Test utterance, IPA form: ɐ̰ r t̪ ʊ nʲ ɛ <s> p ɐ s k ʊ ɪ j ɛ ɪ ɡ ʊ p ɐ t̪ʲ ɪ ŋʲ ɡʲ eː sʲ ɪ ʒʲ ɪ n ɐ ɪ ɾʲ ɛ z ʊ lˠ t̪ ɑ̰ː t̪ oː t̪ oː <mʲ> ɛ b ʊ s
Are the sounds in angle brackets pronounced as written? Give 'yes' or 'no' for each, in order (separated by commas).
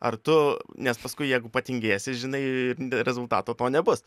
yes, no